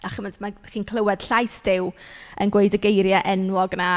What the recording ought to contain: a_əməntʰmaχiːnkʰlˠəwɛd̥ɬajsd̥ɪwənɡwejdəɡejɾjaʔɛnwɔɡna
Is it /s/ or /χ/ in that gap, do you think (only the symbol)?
χ